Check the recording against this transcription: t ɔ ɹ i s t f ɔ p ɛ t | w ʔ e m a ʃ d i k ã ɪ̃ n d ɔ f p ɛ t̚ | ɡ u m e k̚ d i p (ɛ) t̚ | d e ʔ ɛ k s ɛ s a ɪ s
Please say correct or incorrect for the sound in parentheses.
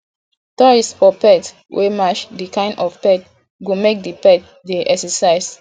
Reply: correct